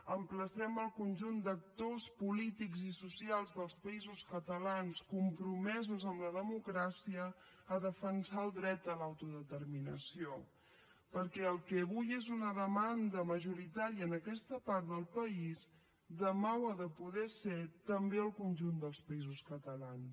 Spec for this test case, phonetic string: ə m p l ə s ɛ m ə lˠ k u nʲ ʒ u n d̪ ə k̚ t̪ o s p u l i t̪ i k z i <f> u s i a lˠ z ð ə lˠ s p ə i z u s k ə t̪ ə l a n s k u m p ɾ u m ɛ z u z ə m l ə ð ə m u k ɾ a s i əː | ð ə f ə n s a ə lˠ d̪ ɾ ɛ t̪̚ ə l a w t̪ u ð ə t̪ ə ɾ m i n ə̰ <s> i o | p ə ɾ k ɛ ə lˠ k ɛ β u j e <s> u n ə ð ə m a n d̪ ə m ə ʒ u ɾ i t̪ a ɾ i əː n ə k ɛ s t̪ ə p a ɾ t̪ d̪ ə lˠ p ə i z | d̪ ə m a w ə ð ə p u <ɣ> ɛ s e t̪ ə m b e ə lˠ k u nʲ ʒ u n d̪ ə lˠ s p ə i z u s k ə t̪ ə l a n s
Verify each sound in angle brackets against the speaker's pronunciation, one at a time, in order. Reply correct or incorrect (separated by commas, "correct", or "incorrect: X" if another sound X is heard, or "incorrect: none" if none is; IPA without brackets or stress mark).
incorrect: s, correct, incorrect: z, incorrect: ð